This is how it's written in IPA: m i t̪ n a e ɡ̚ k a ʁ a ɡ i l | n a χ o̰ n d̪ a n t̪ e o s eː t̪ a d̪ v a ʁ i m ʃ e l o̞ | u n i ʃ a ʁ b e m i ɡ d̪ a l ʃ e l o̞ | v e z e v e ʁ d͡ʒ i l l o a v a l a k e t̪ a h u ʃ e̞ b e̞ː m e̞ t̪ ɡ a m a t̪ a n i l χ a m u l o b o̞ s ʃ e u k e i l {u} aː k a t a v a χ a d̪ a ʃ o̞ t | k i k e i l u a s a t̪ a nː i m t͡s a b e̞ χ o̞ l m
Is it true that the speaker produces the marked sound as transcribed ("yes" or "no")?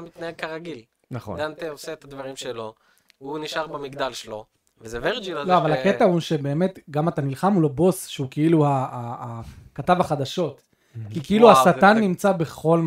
yes